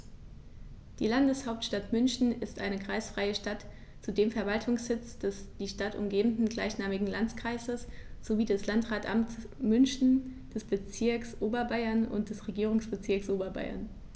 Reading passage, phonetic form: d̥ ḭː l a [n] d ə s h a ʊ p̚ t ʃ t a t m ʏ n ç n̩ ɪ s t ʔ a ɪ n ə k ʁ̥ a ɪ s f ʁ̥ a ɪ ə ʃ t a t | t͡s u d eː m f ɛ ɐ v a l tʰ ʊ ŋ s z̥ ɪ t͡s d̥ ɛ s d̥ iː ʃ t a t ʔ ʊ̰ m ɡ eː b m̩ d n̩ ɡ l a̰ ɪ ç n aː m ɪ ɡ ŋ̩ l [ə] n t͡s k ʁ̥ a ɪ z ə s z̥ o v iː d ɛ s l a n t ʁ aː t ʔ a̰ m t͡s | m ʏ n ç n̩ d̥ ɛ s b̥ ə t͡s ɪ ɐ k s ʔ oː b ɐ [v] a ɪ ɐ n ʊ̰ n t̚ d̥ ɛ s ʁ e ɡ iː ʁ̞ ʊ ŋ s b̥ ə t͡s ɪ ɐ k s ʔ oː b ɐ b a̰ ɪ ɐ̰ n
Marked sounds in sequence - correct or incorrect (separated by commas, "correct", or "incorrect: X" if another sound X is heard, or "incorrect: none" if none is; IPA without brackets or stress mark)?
correct, incorrect: a, incorrect: b